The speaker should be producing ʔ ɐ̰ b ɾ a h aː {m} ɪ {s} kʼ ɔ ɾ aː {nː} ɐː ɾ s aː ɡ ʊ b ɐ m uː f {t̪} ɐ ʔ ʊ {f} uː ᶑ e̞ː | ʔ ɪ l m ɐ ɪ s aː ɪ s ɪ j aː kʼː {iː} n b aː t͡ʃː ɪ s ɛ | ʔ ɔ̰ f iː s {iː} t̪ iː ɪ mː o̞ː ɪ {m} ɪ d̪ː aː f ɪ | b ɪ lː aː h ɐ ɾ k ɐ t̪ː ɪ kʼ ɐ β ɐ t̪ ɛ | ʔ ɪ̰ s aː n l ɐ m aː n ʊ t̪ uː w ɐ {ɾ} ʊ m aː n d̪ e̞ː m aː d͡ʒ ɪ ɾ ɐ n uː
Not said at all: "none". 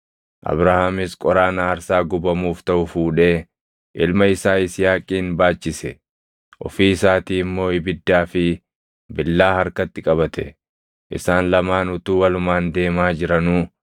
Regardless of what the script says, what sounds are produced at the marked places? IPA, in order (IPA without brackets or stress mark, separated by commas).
m, s, n, t̪, f, iː, aː, b, l